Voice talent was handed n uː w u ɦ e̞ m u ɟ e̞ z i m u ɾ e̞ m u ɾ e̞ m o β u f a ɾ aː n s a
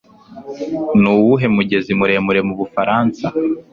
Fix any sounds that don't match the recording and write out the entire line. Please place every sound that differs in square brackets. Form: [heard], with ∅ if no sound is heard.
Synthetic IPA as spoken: n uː w u ɦ e̞ m u ɟ e̞ z i m u ɾ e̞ m u ɾ e̞ m [u] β u f a ɾ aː n s a

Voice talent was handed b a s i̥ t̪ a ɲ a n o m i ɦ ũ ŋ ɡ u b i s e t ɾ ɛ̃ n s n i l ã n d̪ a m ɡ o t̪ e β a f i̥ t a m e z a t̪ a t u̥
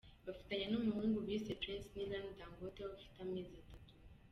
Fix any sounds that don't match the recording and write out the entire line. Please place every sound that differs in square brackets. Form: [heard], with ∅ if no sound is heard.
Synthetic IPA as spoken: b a [f] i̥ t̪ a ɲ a n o m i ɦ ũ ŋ ɡ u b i s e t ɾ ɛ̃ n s n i l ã n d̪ a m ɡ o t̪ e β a f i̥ t a m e z a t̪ a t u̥

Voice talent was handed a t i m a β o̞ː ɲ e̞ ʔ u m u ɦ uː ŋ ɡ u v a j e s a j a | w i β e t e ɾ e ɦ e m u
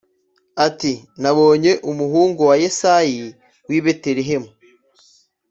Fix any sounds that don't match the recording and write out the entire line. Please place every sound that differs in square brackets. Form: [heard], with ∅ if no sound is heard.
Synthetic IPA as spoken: a t i [n] a β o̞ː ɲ e̞ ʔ u m u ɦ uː ŋ ɡ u [w] a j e s a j [i] | w i β e t e ɾ e ɦ e m u

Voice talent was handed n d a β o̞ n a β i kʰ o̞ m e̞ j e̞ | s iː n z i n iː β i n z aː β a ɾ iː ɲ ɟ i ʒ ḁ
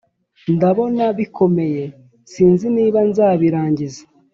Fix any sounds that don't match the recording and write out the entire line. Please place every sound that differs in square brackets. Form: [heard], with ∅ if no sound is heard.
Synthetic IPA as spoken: n d a β o̞ n a β i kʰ o̞ m e̞ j e̞ | s iː n z i n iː β [a] n z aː β [i] ɾ [aː] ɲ ɟ i [z] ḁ

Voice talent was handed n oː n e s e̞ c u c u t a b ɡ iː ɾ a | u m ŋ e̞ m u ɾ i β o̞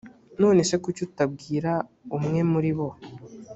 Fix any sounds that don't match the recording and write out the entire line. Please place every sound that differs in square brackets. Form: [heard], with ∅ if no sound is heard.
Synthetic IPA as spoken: n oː n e s e̞ [k] u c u t a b ɡ iː ɾ a | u m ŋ e̞ m u ɾ i β o̞

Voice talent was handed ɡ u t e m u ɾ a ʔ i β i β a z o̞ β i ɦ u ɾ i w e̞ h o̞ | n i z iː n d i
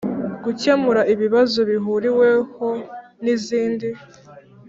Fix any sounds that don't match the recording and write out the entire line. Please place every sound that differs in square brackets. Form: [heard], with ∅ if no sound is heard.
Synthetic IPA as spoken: ɡ u [c] e m u ɾ a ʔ i β i β a z o̞ β i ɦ u ɾ i w e̞ h o̞ | n i z iː n d i

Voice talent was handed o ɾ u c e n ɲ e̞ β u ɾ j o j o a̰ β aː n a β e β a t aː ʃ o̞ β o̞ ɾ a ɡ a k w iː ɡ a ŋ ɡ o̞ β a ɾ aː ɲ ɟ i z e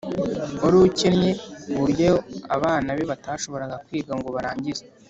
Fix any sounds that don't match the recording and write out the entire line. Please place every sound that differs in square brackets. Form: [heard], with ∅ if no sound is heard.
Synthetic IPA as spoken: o ɾ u c e n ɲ e̞ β u ɾ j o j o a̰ β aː n a β e β a t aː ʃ o̞ β o̞ ɾ a ɡ a k w iː ɡ a ŋ ɡ o̞ β a ɾ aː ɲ ɟ i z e

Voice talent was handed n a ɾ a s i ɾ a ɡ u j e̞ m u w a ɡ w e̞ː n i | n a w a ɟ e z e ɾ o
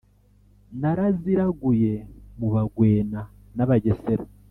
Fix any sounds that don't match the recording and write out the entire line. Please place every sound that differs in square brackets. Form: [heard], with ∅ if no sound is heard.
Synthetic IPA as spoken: n a ɾ a [z] i ɾ a ɡ u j e̞ m u [β] a ɡ w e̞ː n [a] | n a [β] a ɟ e [s] e ɾ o

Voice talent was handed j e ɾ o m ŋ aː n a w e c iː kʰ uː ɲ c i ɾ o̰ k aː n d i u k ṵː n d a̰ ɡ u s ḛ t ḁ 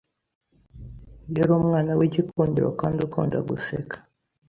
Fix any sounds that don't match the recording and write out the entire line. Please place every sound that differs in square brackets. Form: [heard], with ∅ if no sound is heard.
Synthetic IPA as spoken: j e ɾ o m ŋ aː n a w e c [i] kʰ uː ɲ [ɟ] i ɾ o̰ k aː n d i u k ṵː n d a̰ ɡ u s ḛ [k] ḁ

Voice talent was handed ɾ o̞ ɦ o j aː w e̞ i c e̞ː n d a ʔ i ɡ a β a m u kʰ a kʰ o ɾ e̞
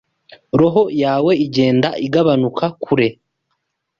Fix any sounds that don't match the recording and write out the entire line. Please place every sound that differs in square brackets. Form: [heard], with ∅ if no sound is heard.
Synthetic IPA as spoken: ɾ o̞ ɦ o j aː w e̞ i [ɟ] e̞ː n d a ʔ i ɡ a β a [n] u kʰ a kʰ [u] ɾ e̞

